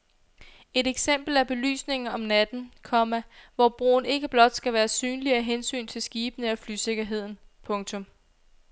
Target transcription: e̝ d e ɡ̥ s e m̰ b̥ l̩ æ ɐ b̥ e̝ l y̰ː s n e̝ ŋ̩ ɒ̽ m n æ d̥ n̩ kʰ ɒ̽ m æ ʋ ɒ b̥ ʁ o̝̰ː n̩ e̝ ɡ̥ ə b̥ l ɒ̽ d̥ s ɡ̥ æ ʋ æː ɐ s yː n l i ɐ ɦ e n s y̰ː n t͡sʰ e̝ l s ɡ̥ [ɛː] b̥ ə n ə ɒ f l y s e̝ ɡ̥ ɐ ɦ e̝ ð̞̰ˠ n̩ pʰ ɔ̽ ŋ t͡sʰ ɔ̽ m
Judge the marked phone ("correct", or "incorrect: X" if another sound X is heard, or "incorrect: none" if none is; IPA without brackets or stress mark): incorrect: iː